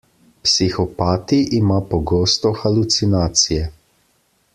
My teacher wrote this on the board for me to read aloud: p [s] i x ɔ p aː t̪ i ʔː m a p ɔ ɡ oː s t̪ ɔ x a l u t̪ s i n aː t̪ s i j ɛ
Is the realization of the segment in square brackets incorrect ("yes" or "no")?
no